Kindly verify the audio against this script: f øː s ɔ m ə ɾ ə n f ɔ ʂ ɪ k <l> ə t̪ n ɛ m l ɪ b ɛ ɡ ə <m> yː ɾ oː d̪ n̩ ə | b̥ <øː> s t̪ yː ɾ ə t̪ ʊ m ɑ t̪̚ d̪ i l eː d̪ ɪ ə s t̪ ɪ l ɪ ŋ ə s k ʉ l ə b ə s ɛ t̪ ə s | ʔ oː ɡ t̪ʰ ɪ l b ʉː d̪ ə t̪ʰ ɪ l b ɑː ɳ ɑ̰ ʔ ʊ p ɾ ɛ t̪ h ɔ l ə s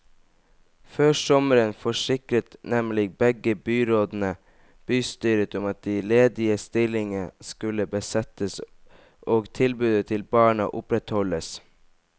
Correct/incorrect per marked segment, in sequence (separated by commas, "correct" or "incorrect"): incorrect, incorrect, incorrect